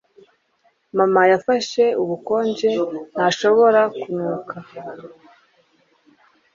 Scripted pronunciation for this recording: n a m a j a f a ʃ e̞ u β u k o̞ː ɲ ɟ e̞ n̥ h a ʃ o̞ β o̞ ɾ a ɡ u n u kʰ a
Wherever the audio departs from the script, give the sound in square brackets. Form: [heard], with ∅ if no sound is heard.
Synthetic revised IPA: [m] a m a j a f a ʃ e̞ u β u k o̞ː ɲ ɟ e̞ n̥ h a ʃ o̞ β o̞ ɾ a [k] u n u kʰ a